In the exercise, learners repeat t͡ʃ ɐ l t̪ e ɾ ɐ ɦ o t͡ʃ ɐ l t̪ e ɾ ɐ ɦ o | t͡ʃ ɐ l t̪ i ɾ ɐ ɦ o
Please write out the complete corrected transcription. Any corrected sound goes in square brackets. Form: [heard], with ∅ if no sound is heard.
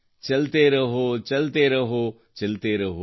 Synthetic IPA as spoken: t͡ʃ ɐ l t̪ e ɾ ɐ ɦ o t͡ʃ ɐ l t̪ e ɾ ɐ ɦ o | t͡ʃ ɐ l t̪ [e] ɾ ɐ ɦ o